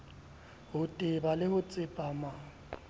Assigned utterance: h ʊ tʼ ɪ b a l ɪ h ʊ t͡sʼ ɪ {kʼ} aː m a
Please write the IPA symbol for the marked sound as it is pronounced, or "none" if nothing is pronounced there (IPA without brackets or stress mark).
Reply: pʼ